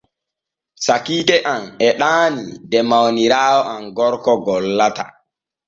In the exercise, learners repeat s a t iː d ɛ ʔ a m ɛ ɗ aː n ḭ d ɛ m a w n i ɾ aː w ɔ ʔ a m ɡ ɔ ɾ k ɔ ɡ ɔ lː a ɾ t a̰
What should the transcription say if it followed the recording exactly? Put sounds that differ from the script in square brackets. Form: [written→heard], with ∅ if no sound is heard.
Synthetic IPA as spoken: s a [t→k] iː d ɛ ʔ a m ɛ ɗ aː n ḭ d ɛ m a w n i ɾ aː w ɔ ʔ a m ɡ ɔ ɾ k ɔ ɡ ɔ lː a [ɾ→∅] t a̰

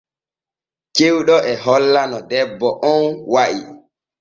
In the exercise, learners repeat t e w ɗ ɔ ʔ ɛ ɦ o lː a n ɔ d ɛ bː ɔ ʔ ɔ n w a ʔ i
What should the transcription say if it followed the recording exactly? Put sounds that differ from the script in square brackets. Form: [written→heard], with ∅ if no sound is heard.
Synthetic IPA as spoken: [t→t͡ʃ] e w ɗ ɔ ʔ ɛ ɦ [o→ɔ] lː a n ɔ d ɛ bː ɔ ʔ ɔ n w a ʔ i

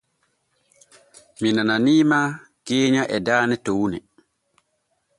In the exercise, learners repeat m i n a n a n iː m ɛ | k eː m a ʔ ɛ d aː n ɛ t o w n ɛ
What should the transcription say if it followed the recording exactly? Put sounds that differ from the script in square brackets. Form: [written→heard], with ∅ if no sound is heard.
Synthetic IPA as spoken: m i n a n a n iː m [ɛ→a] | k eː [m→ɲ] a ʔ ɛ d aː n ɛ t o w n ɛ

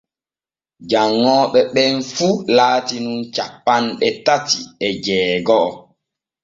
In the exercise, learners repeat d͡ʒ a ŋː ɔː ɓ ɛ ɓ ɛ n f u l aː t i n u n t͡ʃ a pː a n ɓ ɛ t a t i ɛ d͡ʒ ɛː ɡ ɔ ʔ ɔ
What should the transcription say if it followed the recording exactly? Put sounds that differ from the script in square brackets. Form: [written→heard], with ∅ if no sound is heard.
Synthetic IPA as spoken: d͡ʒ a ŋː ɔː ɓ ɛ ɓ ɛ n f u l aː t i n u n t͡ʃ a pː a n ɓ ɛ t a t i ɛ d͡ʒ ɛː ɡ ɔ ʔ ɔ

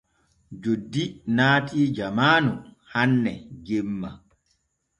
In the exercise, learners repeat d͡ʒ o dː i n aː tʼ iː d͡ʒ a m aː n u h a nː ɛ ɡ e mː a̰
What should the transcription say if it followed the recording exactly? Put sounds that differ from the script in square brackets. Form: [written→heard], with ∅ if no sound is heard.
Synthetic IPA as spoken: d͡ʒ o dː i n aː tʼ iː d͡ʒ a m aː n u h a nː ɛ ɡ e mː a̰

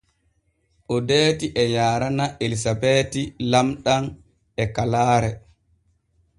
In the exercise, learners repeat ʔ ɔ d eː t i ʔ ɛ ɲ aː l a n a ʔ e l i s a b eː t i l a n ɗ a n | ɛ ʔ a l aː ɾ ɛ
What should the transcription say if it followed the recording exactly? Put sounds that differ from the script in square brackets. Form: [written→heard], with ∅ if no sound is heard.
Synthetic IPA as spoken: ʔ ɔ d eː t i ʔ ɛ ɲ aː [l→ɾ] a n a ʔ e l i s a b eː t i l a [n→m] ɗ a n | ɛ [ʔ→k] a l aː ɾ ɛ

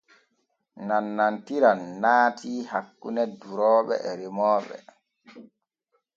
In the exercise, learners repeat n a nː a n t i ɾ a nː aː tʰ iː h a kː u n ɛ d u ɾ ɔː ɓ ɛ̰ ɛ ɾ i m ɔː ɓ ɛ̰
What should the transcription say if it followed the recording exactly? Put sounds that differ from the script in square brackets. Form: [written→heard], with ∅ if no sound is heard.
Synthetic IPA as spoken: n a nː a n t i ɾ a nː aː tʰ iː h a kː u n ɛ d u ɾ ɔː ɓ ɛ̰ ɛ ɾ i m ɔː ɓ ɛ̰

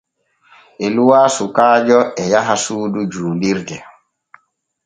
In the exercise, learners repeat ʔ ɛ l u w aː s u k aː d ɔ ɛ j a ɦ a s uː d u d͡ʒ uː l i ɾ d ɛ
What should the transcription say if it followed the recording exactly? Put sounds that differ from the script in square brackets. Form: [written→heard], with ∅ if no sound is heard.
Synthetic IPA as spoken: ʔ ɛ l u w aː s u k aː [d→d͡ʒ] ɔ ɛ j a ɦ a s uː d u d͡ʒ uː l i ɾ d ɛ

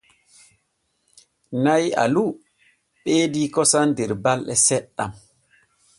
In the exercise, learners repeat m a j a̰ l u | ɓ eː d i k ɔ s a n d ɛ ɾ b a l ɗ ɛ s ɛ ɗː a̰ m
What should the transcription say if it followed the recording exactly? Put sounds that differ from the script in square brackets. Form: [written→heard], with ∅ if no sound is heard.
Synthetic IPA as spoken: [m→n] a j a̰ l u | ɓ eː d i k ɔ s a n d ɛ ɾ b a l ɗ ɛ s ɛ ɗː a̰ m

